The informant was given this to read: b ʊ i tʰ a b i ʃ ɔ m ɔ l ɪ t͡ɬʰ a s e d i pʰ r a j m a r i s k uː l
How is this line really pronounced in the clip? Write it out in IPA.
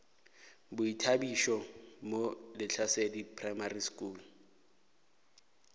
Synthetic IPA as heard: b ʊ i tʰ a b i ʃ ɔ m o l ɪ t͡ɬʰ a s e d i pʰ r a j m a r i s k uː l